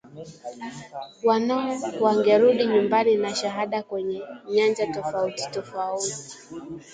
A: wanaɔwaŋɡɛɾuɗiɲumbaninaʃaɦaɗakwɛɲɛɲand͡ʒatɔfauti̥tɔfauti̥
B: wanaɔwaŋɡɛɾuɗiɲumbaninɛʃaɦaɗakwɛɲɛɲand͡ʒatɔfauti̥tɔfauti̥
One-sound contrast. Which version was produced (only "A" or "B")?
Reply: A